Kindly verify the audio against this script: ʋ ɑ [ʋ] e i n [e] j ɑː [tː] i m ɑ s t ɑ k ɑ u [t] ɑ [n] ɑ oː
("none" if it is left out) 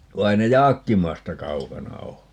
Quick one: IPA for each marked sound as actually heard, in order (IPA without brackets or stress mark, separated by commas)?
none, e, kː, k, n